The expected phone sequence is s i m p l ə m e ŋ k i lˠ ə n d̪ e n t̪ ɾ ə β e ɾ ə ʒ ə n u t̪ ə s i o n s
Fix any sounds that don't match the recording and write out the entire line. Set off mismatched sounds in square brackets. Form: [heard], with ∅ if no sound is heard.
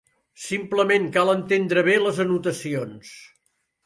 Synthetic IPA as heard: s i m p l ə m e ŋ k [a] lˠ ə n [t̪] e n [d̪] ɾ ə β e [l] ə [z] ə n u t̪ ə s i o n s